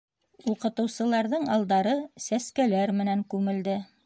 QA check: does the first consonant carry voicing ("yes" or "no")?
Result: no